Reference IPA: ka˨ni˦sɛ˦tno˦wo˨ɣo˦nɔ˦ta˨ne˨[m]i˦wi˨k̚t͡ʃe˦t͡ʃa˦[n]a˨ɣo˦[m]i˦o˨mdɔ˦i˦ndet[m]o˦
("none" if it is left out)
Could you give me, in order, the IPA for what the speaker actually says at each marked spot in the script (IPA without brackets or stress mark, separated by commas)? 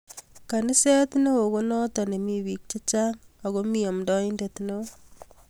m, ŋ, m, n